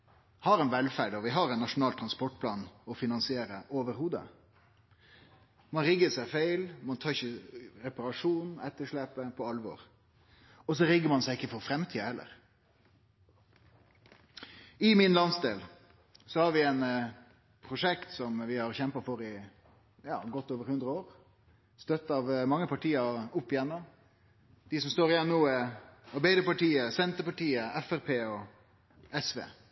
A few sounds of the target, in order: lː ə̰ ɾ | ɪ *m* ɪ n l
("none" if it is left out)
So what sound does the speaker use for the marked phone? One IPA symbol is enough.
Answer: m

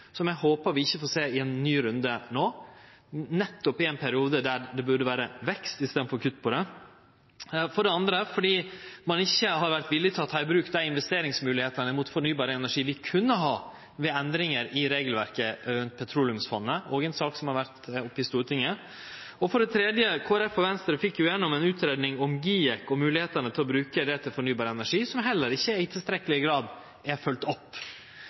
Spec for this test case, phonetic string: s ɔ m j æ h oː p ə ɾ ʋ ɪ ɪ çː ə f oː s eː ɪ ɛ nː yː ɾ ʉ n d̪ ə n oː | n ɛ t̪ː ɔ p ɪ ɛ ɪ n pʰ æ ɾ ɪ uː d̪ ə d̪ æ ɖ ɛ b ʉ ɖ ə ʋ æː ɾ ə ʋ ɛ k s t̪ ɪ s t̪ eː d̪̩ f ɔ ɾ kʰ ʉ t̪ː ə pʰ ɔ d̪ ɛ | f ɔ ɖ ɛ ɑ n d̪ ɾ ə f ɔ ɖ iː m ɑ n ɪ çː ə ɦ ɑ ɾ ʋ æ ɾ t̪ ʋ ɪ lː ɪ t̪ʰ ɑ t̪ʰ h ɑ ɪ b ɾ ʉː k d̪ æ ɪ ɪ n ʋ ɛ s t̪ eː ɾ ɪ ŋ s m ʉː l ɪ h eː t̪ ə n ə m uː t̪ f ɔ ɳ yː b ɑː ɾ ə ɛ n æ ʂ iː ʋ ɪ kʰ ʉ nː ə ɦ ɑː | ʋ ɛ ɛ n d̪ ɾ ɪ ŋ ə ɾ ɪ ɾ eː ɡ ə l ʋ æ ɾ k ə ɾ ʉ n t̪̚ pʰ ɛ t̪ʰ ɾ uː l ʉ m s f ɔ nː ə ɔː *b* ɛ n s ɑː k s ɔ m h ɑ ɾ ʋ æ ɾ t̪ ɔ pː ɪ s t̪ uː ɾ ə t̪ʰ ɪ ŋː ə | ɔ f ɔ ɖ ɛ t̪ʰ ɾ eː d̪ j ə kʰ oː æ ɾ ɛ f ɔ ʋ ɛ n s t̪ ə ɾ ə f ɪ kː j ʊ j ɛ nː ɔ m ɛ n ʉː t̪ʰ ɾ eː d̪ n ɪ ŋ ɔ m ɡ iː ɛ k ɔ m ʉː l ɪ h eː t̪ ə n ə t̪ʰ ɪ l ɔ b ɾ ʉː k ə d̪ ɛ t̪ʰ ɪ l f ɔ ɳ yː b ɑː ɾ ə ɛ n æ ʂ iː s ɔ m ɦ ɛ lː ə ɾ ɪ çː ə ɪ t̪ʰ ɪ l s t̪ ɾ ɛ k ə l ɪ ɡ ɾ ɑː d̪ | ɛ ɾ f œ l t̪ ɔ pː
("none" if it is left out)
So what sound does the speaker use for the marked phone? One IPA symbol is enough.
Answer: ɡ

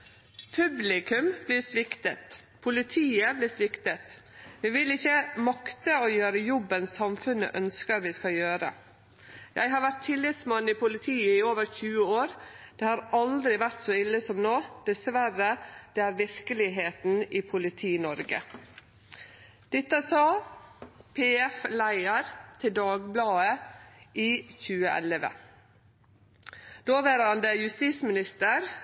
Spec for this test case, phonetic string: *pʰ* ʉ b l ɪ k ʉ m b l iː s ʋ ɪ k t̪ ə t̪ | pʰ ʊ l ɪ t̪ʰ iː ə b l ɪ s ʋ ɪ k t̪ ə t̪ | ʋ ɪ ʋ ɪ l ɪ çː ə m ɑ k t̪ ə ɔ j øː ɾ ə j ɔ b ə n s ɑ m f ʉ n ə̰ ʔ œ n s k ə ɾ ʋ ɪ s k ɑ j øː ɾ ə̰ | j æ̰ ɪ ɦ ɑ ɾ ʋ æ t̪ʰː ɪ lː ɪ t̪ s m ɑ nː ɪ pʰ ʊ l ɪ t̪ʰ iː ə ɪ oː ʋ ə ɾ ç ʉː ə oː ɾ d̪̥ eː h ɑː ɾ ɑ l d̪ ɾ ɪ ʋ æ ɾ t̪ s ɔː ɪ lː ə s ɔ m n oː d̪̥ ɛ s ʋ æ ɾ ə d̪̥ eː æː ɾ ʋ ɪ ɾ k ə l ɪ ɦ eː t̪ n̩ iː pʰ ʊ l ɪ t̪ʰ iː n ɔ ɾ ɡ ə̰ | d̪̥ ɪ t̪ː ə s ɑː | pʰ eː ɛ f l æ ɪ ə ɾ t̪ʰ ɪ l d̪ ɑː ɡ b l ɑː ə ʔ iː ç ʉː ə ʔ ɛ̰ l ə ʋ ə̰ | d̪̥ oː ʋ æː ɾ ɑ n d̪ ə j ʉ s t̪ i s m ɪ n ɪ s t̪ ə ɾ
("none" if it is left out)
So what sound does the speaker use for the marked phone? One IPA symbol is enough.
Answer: pʰ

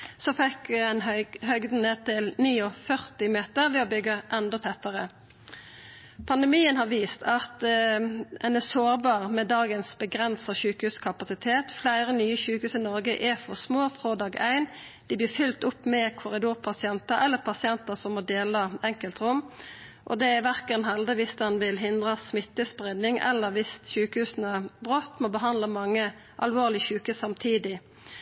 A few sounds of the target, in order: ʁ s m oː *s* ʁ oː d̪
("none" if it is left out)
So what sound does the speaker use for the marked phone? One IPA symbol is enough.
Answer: f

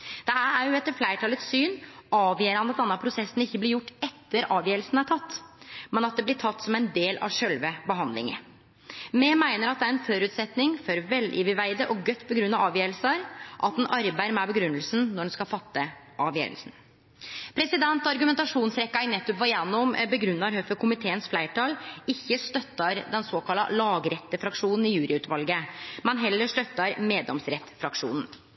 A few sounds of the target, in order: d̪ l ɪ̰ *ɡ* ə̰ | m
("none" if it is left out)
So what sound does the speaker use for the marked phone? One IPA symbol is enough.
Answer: ŋ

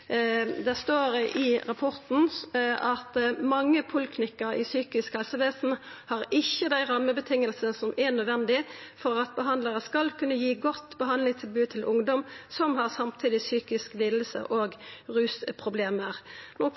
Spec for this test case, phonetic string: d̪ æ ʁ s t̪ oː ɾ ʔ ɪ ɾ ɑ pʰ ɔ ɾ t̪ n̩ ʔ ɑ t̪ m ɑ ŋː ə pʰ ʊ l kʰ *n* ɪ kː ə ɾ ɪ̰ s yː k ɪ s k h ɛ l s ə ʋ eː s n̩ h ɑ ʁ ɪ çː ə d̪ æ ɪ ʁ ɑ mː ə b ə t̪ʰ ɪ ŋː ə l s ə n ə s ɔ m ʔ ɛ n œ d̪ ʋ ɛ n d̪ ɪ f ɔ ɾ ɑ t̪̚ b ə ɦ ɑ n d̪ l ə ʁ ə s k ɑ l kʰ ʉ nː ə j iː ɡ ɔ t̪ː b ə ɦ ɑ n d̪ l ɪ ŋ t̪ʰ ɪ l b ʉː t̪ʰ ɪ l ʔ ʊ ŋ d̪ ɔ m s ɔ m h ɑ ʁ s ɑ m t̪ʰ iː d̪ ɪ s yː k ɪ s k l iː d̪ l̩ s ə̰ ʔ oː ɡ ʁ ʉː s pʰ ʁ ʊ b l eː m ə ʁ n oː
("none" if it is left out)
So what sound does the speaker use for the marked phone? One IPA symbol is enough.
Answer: n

